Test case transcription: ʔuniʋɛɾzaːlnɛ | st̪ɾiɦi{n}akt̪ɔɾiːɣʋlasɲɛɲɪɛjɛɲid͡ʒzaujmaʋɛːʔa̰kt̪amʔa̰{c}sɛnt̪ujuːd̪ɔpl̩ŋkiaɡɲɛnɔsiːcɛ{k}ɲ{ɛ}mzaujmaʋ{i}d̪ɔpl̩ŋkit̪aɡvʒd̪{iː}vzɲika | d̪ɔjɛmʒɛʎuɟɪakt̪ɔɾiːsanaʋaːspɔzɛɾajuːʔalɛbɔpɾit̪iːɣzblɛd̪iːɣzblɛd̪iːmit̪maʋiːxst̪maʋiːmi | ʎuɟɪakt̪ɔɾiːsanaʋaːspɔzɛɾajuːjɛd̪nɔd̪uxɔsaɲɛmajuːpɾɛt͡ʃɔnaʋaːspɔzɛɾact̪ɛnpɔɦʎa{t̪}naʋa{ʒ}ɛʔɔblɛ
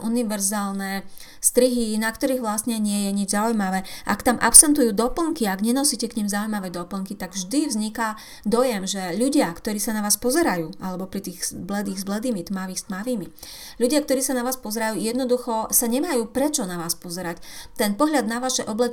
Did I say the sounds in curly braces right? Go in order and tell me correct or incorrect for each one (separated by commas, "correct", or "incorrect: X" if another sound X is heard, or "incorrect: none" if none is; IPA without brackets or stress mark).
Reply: correct, incorrect: p, correct, incorrect: i, incorrect: ɛ, incorrect: i, incorrect: d̪, incorrect: ʃ